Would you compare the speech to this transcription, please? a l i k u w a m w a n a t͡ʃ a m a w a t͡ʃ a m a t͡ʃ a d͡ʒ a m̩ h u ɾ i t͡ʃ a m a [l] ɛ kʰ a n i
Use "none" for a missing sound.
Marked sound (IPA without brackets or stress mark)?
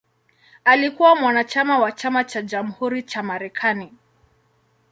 ɾ